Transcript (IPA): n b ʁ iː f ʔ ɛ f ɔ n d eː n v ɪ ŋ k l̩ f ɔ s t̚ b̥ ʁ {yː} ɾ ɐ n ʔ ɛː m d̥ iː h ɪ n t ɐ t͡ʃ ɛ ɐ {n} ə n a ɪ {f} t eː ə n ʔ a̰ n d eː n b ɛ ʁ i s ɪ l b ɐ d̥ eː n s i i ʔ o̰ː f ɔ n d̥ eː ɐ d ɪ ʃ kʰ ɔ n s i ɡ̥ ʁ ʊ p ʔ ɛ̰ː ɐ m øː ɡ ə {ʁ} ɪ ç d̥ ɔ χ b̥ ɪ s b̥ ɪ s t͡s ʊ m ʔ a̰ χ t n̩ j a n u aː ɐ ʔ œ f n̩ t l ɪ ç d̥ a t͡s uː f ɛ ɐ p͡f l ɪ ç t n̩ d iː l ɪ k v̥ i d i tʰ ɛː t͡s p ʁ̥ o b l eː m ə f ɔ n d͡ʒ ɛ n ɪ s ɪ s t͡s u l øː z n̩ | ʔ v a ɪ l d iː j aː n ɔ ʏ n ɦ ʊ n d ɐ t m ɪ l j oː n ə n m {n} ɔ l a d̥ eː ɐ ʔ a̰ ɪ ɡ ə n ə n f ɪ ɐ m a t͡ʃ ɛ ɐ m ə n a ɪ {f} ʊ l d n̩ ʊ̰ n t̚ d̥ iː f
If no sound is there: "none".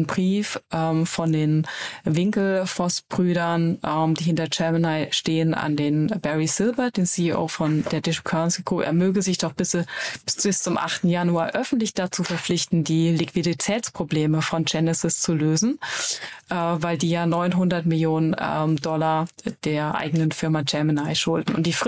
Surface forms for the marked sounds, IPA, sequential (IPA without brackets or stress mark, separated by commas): yː, m, ʃ, z, d, ʃ